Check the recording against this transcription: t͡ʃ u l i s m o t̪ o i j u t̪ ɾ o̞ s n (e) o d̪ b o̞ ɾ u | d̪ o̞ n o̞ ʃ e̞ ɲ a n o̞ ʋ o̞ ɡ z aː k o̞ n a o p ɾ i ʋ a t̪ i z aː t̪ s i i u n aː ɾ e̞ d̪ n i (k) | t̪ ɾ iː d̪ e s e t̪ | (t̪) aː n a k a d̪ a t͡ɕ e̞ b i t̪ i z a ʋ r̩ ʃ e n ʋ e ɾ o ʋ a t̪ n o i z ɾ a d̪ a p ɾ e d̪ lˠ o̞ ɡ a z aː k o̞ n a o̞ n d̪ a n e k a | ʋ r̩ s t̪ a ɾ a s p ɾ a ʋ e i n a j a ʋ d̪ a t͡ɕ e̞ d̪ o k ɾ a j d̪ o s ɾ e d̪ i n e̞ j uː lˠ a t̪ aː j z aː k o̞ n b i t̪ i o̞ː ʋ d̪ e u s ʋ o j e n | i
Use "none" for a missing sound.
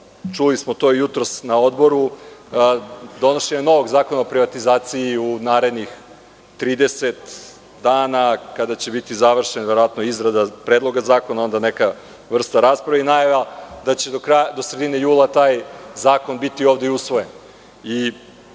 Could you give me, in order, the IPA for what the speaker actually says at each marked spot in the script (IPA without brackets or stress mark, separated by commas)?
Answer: a, x, d̪